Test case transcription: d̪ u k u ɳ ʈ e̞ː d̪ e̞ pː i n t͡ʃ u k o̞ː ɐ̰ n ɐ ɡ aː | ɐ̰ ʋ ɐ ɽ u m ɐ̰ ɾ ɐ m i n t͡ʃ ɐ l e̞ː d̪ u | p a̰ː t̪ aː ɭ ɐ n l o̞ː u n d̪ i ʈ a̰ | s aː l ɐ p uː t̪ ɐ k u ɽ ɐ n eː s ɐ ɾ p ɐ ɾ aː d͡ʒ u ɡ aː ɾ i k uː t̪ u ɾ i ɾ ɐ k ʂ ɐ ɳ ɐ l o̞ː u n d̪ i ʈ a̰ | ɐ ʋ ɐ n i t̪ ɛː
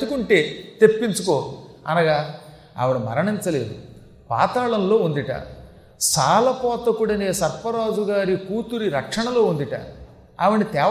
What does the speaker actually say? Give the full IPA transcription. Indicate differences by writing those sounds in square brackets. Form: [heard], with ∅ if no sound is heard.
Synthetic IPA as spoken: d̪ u k u ɳ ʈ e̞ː [t̪] e̞ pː i n t͡ʃ u k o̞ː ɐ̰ n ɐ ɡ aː | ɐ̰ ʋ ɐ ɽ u m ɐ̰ ɾ ɐ [ɳ] i n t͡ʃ ɐ l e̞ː d̪ u | p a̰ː t̪ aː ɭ ɐ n l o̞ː u n d̪ i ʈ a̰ | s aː l ɐ p [ɔː] t̪ ɐ k u ɽ ɐ n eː s ɐ ɾ p ɐ ɾ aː d͡ʒ u ɡ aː ɾ i k uː t̪ u ɾ i ɾ ɐ k ʂ ɐ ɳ ɐ l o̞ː u n d̪ i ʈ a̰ | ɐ ʋ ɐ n i t̪ ɛː